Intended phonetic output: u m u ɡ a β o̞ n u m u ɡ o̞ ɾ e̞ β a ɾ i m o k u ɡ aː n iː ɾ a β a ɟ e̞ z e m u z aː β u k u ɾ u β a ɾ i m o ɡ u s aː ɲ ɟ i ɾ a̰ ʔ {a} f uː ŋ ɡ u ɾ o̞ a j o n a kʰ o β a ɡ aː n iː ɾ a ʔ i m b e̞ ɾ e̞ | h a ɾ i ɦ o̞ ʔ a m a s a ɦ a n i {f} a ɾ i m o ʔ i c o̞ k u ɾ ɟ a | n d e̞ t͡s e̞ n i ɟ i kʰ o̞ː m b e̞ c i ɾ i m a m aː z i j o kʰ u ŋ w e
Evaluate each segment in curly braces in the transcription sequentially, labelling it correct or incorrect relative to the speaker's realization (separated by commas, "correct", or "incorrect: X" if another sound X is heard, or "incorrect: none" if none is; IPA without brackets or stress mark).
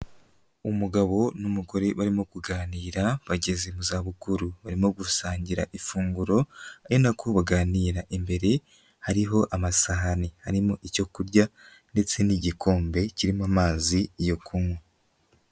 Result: incorrect: i, incorrect: h